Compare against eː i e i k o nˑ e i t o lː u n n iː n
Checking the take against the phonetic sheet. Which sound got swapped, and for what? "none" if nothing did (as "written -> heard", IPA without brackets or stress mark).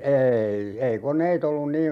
none